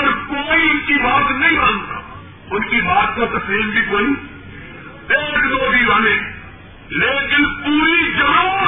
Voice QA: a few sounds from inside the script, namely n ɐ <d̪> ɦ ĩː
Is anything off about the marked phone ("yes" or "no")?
yes